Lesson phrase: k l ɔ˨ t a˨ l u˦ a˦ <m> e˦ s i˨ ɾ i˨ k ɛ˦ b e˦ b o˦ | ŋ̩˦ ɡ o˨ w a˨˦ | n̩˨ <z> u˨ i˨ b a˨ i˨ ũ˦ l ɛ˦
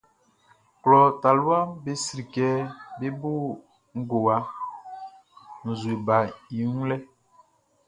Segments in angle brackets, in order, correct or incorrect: incorrect: b, correct

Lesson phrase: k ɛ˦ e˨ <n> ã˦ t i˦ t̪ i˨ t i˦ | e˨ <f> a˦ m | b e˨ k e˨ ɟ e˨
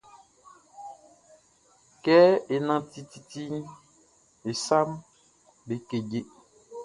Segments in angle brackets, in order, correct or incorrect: correct, incorrect: s

